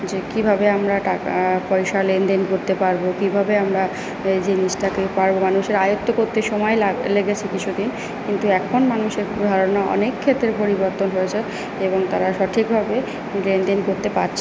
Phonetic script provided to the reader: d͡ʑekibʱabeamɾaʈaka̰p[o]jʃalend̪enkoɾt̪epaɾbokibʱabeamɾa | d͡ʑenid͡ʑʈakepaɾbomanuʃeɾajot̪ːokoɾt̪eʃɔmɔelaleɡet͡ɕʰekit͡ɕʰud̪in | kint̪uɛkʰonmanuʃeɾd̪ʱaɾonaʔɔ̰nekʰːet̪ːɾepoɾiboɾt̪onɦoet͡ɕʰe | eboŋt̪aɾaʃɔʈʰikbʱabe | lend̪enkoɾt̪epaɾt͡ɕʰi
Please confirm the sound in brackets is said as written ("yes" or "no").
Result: no